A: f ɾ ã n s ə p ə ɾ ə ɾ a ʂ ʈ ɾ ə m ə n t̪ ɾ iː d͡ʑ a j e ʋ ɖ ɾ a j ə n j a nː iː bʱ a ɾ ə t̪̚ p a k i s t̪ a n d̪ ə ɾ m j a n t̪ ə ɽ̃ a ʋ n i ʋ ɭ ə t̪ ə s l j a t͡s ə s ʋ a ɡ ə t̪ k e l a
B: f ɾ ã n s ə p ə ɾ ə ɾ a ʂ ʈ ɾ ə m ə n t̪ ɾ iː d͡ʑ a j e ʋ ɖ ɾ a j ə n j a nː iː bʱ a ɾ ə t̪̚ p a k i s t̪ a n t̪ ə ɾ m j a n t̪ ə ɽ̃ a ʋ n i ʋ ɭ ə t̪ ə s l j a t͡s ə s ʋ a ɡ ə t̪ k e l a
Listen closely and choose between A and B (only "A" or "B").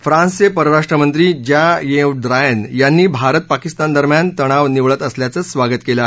A